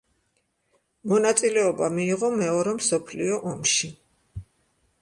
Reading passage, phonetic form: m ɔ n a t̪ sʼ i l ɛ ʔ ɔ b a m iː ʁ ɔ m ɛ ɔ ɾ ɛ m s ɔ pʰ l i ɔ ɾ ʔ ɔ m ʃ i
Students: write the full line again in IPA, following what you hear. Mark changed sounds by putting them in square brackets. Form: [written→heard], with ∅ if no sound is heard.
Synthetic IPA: m ɔ n a t̪ sʼ i l ɛ [ʔ→∅] ɔ b a m iː ʁ ɔ m ɛ ɔ ɾ ɛ m s ɔ pʰ l i ɔ [ɾ→∅] ʔ ɔ m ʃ i

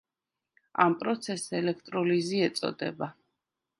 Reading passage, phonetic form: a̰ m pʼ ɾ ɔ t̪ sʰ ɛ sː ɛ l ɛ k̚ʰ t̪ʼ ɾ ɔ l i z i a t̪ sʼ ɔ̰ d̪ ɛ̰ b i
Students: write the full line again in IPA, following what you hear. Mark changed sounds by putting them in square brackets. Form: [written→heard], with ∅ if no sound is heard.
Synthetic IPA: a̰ m pʼ ɾ ɔ t̪ sʰ ɛ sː ɛ l ɛ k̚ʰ t̪ʼ ɾ ɔ l i z i [a→ɛ] t̪ sʼ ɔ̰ d̪ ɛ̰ b [i→a]

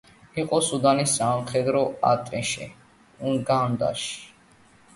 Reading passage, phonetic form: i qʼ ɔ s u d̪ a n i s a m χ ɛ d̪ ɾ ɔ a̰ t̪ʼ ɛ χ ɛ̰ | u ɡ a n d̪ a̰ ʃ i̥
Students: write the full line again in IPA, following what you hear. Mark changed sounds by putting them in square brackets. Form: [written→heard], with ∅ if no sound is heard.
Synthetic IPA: i qʼ ɔ s u d̪ a n i s a m χ ɛ d̪ ɾ ɔ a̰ t̪ʼ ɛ [χ→ʃ] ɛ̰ | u ɡ a n d̪ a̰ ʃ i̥

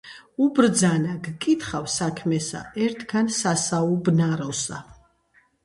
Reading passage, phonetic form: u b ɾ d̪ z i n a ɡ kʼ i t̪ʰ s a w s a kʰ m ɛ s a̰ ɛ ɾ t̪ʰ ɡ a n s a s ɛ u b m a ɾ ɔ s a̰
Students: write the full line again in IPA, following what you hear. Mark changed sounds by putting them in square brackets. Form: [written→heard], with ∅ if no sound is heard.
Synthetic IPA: u b ɾ d̪ z [i→a] n a ɡ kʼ i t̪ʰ [s→χ] a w s a kʰ m ɛ s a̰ ɛ ɾ t̪ʰ ɡ a n s a s [ɛ→a] u b [m→n] a ɾ ɔ s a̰

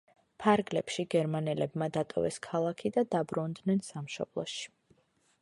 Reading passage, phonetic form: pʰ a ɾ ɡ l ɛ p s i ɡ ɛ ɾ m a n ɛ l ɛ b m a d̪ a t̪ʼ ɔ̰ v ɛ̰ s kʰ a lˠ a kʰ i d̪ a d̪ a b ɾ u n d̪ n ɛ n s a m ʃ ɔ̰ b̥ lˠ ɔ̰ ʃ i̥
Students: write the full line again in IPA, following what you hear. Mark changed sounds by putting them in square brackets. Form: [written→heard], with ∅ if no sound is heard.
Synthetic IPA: pʰ a ɾ ɡ l ɛ p [s→ʃ] i ɡ ɛ ɾ m a n ɛ l ɛ b m a d̪ a t̪ʼ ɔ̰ v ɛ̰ s kʰ a lˠ a kʰ i d̪ a d̪ a b ɾ u n d̪ n ɛ n s a m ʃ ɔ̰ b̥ lˠ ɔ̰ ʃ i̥

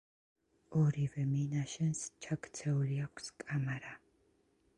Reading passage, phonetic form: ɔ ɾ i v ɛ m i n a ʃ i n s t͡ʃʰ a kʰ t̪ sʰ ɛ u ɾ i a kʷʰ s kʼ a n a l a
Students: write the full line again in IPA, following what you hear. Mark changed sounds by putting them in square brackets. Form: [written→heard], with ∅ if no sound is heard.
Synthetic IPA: ɔ ɾ i v ɛ m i n a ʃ [i→ɛ] n s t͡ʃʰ a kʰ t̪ sʰ ɛ u [ɾ→l] i a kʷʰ s kʼ a [n→m] a [l→ɾ] a

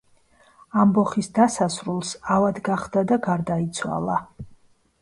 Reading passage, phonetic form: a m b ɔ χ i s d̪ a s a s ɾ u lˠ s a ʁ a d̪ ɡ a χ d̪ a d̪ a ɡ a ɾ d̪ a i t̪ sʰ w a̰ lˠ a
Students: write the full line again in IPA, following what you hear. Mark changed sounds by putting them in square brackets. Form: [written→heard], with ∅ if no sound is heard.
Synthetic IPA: a m b ɔ χ i s d̪ a s a s ɾ u lˠ s a [ʁ→v] a d̪ ɡ a χ d̪ a d̪ a ɡ a ɾ d̪ a i t̪ sʰ w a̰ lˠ a

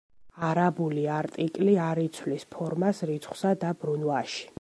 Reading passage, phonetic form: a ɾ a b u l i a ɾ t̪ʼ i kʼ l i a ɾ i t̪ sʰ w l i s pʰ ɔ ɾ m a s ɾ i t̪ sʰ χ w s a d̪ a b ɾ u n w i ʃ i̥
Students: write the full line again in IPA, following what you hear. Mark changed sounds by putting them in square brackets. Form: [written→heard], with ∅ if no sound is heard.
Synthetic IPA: a ɾ a b u l i a ɾ t̪ʼ i kʼ l i a ɾ i t̪ sʰ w l i s pʰ ɔ ɾ m a s ɾ i t̪ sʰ χ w s a d̪ a b ɾ u n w [i→a] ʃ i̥

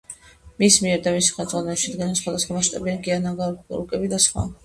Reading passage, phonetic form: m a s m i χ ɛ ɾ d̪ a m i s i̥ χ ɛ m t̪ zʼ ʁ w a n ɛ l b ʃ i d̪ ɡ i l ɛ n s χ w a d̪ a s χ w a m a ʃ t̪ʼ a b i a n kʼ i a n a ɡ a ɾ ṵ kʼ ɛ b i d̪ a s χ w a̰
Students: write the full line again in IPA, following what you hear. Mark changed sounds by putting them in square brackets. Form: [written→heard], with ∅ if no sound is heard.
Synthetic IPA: m [a→i] s m i [χ→∅] ɛ ɾ d̪ a m i s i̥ χ ɛ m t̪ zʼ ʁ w a n ɛ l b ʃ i d̪ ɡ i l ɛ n s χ w a d̪ a s χ w a m a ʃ t̪ʼ a b i a n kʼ i a n a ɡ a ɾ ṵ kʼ ɛ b i d̪ a s χ w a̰

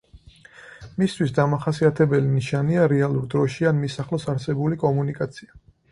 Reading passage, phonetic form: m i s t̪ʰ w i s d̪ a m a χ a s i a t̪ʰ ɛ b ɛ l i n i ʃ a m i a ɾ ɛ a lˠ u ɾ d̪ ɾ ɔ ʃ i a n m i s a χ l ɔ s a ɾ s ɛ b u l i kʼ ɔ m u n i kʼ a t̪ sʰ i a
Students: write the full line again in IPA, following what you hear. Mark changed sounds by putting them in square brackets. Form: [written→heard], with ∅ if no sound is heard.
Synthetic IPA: m i s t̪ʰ w i s d̪ a m a χ a s i a t̪ʰ ɛ b ɛ l i n i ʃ a [m→n] i a ɾ ɛ a lˠ u ɾ d̪ ɾ ɔ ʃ i a n m i s a χ l ɔ s a ɾ s ɛ b u l i kʼ ɔ m u n i kʼ a t̪ sʰ i a

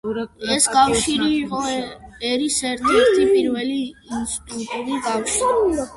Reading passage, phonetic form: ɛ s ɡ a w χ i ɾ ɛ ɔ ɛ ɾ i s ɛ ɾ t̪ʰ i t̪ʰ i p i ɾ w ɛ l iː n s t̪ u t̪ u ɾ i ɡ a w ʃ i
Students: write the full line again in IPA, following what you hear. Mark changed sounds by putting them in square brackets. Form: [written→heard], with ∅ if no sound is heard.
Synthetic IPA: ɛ s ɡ a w [χ→ʃ] i ɾ [ɛ→i] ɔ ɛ ɾ i s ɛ ɾ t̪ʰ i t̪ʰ i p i ɾ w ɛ l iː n s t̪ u t̪ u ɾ i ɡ a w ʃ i

